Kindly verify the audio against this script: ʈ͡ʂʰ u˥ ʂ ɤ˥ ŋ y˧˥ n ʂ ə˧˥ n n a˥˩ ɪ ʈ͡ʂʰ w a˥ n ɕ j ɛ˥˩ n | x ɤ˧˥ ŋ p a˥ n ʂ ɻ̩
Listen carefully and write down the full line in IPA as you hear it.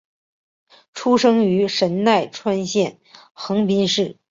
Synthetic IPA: ʈ͡ʂʰ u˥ ʂ ɤ˥ ŋ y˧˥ ʂ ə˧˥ n n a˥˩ ɪ ʈ͡ʂʰ w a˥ n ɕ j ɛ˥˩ n | x ɤ˧˥ ŋ p i˥ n ʂ ɻ̩